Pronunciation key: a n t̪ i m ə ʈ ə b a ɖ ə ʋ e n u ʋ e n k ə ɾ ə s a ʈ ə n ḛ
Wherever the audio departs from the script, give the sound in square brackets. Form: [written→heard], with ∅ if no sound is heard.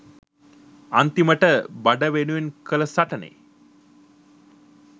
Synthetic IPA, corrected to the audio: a n t̪ i m ə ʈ ə b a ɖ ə ʋ e n u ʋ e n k ə [ɾ→l] ə s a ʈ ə n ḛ